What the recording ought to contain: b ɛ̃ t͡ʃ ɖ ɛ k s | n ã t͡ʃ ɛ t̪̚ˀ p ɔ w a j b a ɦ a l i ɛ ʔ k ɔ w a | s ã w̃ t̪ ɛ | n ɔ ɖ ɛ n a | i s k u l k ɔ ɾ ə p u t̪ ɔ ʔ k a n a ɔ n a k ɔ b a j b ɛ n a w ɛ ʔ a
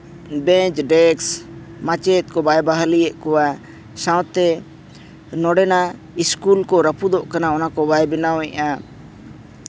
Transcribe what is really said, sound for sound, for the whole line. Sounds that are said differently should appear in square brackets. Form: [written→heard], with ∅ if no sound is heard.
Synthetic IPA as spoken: b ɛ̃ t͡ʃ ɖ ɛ k s | [n→m] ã t͡ʃ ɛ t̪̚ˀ [p→k] ɔ [w→b] a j b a ɦ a l i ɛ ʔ k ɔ w a | s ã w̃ t̪ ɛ | n ɔ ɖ ɛ n a | i s k u l k ɔ ɾ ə p u [t̪→d̪] ɔ ʔ k a n a ɔ n a k ɔ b a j b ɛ n a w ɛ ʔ a